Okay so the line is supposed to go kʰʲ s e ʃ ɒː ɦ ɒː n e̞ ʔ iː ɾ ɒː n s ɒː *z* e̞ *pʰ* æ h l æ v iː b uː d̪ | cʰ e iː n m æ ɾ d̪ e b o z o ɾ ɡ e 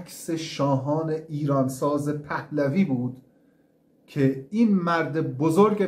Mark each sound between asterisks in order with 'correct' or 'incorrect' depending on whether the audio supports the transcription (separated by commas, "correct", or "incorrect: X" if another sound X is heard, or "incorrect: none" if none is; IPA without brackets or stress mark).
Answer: correct, correct